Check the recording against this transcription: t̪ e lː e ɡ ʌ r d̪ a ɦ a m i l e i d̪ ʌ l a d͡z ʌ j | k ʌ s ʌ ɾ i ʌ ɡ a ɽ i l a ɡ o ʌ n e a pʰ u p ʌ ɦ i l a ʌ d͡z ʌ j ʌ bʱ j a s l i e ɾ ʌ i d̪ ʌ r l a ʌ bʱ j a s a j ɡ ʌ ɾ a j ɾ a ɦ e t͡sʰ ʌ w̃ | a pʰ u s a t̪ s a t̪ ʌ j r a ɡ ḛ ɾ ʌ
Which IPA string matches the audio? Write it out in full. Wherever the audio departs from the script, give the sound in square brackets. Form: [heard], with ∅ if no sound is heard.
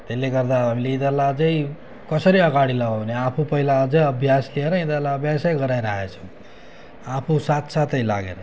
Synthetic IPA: t̪ e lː e ɡ ʌ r d̪ a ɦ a m i l e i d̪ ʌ l a d͡z ʌ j | k ʌ s ʌ ɾ i ʌ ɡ a ɽ i l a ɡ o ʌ n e a pʰ u p ʌ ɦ i l a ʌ d͡z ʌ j ʌ bʱ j a s l i e ɾ ʌ i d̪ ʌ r l a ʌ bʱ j a s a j ɡ ʌ ɾ a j ɾ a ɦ e t͡sʰ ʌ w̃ | a pʰ u s a t̪ s a t̪ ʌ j [l] a ɡ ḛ ɾ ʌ